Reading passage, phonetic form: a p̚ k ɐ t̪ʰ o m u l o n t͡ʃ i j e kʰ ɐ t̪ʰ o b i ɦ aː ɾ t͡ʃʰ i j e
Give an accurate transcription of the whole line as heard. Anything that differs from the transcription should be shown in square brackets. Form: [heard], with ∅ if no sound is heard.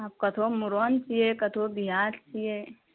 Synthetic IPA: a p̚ k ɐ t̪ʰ o m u [ɾ] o n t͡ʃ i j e [k] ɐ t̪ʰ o b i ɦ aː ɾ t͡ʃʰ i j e